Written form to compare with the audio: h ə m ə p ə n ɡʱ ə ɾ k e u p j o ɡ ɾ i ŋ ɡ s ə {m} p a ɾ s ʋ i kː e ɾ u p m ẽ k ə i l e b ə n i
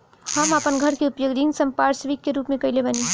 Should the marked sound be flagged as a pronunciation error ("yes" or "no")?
no